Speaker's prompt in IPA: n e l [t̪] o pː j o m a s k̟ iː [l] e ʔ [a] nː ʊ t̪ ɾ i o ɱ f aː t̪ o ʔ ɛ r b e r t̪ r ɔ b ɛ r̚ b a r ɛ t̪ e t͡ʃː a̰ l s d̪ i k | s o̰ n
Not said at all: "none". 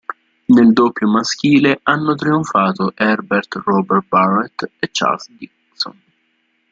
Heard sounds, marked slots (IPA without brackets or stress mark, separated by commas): d̪, l, a